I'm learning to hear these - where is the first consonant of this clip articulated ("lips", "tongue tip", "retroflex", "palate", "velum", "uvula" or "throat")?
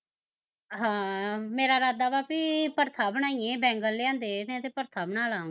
throat